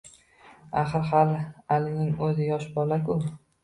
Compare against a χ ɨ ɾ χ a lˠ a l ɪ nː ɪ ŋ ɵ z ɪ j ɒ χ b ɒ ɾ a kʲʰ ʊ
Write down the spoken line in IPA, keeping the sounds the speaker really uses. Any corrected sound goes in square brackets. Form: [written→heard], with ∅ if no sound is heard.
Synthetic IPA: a χ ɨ ɾ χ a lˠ a l ɪ [nː→n] ɪ ŋ ɵ z ɪ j ɒ [χ→ʃ] b ɒ [ɾ→l] a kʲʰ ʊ